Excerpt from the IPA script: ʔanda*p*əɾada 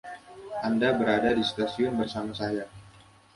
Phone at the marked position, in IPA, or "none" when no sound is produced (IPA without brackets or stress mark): b